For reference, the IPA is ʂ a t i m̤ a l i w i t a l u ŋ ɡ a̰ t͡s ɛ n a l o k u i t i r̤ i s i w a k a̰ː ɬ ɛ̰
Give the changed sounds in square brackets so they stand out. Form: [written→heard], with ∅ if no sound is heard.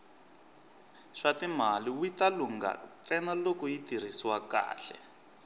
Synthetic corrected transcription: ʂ a t i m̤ a l i w i t a l u ŋ ɡ a̰ t͡s ɛ n a l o k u i t i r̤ i s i w a k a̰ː ɬ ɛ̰